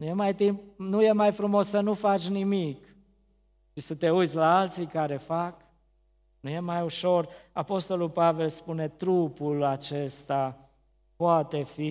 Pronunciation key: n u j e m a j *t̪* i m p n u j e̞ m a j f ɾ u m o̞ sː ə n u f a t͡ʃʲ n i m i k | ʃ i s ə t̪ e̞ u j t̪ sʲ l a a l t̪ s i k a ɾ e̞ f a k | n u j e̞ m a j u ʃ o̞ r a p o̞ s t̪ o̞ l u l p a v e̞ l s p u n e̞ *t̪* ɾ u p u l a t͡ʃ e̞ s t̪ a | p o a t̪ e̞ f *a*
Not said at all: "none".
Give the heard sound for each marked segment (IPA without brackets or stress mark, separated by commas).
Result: t̪, t̪, i